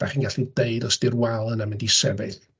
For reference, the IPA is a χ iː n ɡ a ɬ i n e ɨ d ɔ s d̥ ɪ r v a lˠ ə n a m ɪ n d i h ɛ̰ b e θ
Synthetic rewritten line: a χ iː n ɡ a ɬ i d e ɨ d ɔ s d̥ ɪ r w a lˠ ə n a m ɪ n d i s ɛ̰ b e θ